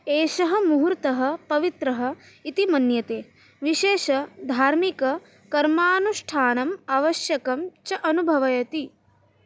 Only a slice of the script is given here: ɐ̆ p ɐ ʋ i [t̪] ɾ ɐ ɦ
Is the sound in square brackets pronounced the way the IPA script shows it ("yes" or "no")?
yes